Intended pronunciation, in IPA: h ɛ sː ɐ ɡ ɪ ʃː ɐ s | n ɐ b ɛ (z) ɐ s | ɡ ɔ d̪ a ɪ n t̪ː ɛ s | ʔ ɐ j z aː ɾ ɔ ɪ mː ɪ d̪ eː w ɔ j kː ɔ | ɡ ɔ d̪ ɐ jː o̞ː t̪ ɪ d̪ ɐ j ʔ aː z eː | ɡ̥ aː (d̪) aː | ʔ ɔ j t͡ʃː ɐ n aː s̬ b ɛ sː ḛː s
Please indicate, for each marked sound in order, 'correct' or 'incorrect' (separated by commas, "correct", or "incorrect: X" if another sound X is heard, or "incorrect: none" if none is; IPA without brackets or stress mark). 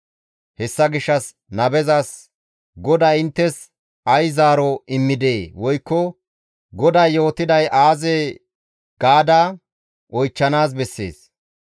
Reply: correct, correct